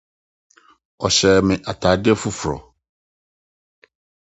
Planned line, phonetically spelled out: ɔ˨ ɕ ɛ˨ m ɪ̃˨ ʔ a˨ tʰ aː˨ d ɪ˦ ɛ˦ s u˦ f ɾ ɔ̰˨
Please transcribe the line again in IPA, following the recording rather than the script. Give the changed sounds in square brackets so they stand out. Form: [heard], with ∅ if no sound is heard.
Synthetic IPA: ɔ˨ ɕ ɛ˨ m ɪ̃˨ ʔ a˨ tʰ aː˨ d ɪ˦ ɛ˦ [f] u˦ f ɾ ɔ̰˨